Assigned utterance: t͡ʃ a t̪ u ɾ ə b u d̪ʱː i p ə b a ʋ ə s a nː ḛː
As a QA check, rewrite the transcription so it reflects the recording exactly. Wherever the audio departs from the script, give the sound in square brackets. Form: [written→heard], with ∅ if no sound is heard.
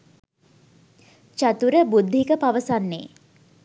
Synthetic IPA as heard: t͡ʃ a t̪ u ɾ ə b u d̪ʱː i [p→k] ə [b→p] a ʋ ə s a nː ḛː